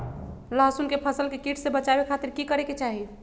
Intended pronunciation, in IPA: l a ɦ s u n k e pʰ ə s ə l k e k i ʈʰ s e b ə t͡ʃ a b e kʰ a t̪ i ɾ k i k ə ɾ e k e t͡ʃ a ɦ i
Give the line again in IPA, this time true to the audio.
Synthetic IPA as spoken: l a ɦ s u n k e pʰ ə s ə l k e k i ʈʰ s e b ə t͡ʃ a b e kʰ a t̪ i ɾ k i k ə ɾ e k e t͡ʃ a ɦ i